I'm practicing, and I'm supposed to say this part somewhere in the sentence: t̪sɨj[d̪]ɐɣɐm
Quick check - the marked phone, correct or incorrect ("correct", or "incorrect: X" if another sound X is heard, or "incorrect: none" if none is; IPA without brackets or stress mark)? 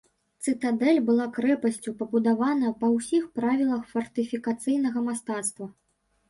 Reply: incorrect: n̪